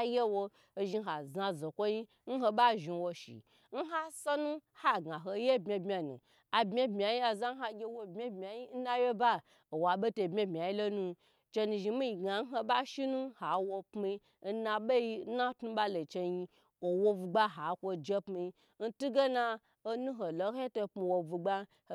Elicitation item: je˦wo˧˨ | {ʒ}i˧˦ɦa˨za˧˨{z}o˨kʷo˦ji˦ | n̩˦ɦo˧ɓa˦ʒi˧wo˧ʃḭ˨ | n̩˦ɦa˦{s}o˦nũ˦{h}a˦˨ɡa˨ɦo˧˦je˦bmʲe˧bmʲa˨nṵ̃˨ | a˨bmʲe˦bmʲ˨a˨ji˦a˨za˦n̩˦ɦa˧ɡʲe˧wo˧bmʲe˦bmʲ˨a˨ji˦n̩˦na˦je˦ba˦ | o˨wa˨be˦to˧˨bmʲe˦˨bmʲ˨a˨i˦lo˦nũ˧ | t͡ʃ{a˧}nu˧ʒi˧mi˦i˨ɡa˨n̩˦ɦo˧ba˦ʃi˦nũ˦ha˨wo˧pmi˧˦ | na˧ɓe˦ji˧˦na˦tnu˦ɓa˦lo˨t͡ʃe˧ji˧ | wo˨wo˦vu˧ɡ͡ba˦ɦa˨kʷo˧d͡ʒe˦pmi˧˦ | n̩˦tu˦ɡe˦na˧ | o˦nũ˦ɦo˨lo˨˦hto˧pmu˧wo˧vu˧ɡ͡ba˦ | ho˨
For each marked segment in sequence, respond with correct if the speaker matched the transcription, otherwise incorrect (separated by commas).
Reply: correct, correct, correct, correct, incorrect